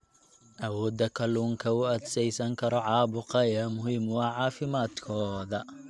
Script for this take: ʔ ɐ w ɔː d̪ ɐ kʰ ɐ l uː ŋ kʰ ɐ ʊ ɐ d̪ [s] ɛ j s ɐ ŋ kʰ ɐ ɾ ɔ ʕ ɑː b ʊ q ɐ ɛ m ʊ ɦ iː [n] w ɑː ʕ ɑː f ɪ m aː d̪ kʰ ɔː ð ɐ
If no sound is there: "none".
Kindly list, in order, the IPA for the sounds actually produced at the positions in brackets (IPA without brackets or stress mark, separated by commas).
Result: s, m